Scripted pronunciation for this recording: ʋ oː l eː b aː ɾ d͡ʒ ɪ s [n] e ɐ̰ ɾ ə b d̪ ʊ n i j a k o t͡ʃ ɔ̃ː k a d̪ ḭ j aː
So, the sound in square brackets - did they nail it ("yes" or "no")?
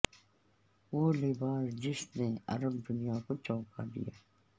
yes